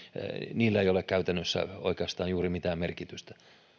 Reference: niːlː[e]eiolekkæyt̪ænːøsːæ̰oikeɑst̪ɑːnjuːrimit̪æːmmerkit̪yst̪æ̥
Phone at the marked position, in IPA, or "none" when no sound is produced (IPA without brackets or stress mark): æ